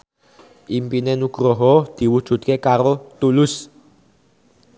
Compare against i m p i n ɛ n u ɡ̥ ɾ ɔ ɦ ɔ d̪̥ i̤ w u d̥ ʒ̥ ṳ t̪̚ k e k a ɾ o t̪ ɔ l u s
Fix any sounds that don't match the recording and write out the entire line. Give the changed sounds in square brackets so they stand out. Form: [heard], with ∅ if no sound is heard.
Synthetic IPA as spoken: i m p i n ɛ n u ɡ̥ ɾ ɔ ɦ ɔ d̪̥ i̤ w u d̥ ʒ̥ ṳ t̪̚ k e k a ɾ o t̪ [u] l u s